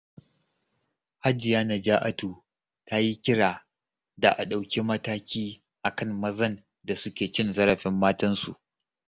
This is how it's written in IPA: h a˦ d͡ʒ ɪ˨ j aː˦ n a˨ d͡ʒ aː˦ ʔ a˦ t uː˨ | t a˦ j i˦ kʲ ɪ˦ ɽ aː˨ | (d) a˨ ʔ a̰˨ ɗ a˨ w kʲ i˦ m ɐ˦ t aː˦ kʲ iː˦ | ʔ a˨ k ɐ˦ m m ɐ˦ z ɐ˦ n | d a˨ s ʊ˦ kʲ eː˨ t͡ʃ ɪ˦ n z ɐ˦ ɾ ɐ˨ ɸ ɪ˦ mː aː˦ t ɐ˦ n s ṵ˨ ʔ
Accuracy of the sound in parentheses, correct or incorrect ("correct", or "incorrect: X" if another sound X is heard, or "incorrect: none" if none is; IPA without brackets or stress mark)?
correct